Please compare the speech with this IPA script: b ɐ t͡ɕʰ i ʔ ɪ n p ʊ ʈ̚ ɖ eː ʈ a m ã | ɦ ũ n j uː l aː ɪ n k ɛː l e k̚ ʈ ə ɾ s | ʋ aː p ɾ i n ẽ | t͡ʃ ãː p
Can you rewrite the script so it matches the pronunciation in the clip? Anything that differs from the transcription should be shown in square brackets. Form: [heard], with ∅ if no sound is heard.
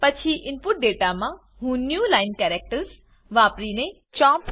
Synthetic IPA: [p] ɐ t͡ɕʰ i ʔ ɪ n p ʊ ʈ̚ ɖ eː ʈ a m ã | ɦ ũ n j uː l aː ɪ n k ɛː [ɾ] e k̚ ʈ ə ɾ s | ʋ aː p ɾ i n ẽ | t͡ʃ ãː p